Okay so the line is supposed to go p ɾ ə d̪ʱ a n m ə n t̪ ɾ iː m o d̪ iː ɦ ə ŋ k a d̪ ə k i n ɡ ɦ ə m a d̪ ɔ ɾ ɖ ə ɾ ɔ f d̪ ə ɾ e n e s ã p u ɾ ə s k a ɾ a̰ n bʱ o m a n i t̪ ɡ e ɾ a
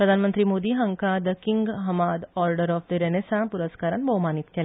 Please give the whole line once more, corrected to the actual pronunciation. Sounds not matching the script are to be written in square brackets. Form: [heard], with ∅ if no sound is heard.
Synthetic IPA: p ɾ ə d̪ʱ a n m ə n t̪ ɾ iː m o d̪ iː ɦ ə ŋ k a d̪ ə k i [ŋ] ɡ ɦ ə m a d̪ ɔ ɾ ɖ ə ɾ ɔ f d̪ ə ɾ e n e s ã p u ɾ ə s k a ɾ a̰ n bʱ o m a n i t̪ [k] e [l] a

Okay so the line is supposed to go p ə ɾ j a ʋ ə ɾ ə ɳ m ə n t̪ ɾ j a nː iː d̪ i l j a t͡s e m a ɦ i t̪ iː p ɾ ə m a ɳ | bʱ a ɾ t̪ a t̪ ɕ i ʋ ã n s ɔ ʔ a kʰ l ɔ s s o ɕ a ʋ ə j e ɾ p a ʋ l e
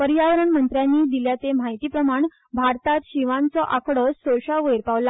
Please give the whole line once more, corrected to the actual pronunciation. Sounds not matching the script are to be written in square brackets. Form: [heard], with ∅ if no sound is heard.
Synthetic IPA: p ə ɾ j a ʋ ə ɾ ə ɳ m ə n t̪ ɾ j a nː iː d̪ i l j a t͡s e m a ɦ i t̪ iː p ɾ ə m a ɳ | bʱ a ɾ t̪ a t̪ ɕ i ʋ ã n [t͡s] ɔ ʔ a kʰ [ɽ] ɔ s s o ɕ a ʋ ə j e ɾ p a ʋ l [a]

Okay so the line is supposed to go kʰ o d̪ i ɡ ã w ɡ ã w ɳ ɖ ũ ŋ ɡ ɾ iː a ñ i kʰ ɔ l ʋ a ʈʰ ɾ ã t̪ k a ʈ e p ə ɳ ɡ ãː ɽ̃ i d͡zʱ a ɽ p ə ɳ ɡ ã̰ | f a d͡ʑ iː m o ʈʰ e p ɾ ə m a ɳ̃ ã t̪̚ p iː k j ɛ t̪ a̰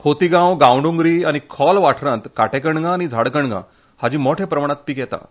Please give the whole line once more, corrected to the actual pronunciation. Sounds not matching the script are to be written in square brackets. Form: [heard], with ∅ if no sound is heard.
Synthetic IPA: kʰ o [t̪] i ɡ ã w ɡ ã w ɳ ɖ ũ ŋ ɡ ɾ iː a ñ i kʰ ɔ l ʋ a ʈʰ ɾ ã t̪ k a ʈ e [k] ə ɳ ɡ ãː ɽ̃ i d͡zʱ a ɽ [k] ə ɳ ɡ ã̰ | [h] a d͡ʑ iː m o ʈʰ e p ɾ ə m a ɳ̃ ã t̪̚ p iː k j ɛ t̪ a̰

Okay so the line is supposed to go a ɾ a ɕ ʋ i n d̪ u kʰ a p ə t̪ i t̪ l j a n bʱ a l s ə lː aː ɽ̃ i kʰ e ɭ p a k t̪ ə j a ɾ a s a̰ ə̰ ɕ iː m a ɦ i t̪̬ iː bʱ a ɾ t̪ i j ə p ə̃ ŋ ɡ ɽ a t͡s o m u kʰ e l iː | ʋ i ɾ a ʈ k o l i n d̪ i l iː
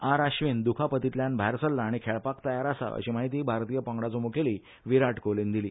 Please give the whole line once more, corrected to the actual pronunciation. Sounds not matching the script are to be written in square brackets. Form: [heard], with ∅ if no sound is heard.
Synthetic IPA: a ɾ a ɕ ʋ i n d̪ u kʰ a p ə t̪ i t̪ l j a n bʱ a [ɾ] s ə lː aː ɽ̃ i kʰ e ɭ p a k t̪ ə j a ɾ a s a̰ ə̰ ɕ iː m a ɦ i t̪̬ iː bʱ a ɾ t̪ i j ə p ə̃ ŋ ɡ ɽ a t͡s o m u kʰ e l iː | ʋ i ɾ a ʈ k o l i n d̪ i l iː

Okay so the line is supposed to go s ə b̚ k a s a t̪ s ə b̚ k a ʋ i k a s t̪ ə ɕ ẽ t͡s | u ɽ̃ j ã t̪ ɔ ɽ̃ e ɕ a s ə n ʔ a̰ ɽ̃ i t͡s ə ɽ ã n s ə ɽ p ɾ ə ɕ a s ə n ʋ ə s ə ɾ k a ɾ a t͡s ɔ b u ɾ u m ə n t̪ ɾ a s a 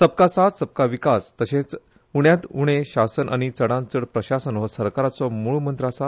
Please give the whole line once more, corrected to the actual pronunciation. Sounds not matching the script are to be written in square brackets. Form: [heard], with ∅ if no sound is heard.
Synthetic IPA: s ə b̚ k a s a t̪ s ə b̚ k a ʋ i k a s t̪ ə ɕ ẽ t͡s | u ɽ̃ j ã t̪ [u] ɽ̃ e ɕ a s ə n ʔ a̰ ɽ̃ i t͡s ə ɽ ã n [t͡s] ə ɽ p ɾ ə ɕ a s ə n ʋ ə s ə ɾ k a ɾ a t͡s ɔ [m] u [ɭ] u m ə n t̪ ɾ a s a

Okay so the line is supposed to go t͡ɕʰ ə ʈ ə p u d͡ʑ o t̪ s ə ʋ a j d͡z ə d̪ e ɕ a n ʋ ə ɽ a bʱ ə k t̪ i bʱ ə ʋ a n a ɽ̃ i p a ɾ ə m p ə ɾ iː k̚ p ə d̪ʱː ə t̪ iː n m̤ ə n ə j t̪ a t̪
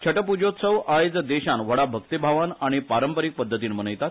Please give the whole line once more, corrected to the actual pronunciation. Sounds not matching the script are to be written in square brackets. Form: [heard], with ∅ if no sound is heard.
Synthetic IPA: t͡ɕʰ ə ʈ ə p u d͡ʑ o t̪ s ə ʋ a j d͡z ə d̪ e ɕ a n ʋ ə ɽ a bʱ ə k t̪ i bʱ [a] ʋ a n a ɽ̃ i p a ɾ ə m p ə ɾ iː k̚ p ə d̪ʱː ə t̪ iː n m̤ ə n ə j t̪ a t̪

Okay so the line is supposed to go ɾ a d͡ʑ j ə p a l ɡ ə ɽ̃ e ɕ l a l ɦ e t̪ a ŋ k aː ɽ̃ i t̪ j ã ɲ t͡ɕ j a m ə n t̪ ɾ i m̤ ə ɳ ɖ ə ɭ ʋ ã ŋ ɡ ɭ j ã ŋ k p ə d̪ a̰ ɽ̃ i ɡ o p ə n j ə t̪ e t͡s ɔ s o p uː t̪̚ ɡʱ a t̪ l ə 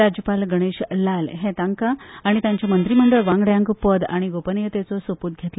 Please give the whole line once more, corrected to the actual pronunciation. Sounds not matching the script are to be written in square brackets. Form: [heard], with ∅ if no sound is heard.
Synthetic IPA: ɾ a d͡ʑ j ə p a l ɡ ə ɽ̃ e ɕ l a l ɦ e t̪ a ŋ k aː ɽ̃ i t̪ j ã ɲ t͡ɕ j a m ə n t̪ ɾ i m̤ ə ɳ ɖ ə ɭ ʋ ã ŋ ɡ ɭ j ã ŋ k p ə d̪ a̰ ɽ̃ i ɡ o p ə n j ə t̪ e t͡s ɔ s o p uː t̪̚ ɡʱ [e] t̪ l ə

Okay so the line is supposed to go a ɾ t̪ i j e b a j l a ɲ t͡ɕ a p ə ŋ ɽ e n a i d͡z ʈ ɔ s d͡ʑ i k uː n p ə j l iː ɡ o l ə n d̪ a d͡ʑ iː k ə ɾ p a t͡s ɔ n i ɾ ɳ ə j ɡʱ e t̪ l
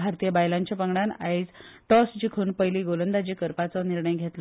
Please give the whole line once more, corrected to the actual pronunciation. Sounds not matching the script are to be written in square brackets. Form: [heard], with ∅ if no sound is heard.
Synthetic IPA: a ɾ t̪ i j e b a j l a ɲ t͡ɕ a p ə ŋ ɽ [a] n a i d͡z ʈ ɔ s d͡ʑ i [kʰ] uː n p ə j l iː ɡ o l ə n d̪ a d͡ʑ iː k ə ɾ p a t͡s ɔ n i ɾ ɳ ə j ɡʱ e t̪ l

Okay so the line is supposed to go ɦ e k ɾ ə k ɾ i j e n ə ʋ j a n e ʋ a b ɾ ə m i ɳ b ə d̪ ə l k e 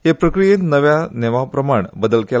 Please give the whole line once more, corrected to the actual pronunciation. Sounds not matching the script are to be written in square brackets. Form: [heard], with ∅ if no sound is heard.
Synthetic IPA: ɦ e [p] ɾ ə k ɾ i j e n ə ʋ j a n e ʋ a [p] ɾ ə m [a] ɳ b ə d̪ ə l k e

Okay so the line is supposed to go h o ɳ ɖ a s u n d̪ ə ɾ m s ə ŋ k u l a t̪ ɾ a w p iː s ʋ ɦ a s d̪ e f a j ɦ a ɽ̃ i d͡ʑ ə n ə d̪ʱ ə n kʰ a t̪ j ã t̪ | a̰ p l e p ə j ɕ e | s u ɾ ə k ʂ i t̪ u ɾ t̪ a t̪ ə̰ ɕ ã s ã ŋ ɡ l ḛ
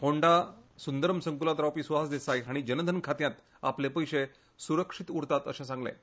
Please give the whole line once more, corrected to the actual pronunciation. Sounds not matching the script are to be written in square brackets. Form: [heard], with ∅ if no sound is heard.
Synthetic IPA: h o ɳ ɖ a s u n d̪ ə ɾ m s ə ŋ k u l a t̪ ɾ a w p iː s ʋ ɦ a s d̪ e [s] a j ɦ a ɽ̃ i d͡ʑ ə n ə d̪ʱ ə n kʰ a t̪ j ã t̪ | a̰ p l e p ə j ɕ e | s u ɾ ə k ʂ i t̪ u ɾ t̪ a t̪ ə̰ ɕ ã s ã ŋ ɡ l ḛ

